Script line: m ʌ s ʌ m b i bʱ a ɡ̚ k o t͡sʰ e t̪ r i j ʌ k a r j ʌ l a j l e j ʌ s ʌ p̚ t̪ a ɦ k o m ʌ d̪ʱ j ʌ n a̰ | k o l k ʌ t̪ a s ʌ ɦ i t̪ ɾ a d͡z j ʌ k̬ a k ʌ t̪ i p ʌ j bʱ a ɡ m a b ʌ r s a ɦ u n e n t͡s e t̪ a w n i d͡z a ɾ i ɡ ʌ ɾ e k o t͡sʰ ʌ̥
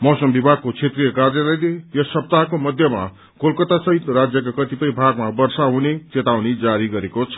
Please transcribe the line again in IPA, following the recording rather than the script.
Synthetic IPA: m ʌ s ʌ m b i bʱ a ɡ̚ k o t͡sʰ e t̪ r i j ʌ k a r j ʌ l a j l e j ʌ s ʌ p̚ t̪ a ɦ k o m ʌ d̪ʱ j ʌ m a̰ | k o l k ʌ t̪ a s ʌ ɦ i t̪ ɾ a d͡z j ʌ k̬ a k ʌ t̪ i p ʌ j bʱ a ɡ m a b ʌ r s a ɦ u n e t͡s e t̪ a w n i d͡z a ɾ i ɡ ʌ ɾ e k o t͡sʰ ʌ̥